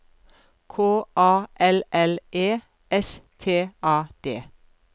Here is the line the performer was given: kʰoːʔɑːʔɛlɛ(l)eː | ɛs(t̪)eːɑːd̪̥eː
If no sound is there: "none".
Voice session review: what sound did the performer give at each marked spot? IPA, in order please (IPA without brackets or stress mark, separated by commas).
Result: l, t̪ʰ